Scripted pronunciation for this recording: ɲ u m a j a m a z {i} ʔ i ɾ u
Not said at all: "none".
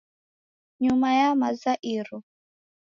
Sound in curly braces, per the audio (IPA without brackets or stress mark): a